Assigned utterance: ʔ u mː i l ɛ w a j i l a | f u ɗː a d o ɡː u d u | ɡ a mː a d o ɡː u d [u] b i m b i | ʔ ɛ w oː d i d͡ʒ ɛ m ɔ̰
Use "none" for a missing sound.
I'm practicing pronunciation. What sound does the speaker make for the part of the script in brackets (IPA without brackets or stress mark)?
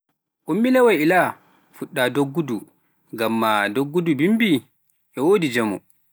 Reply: u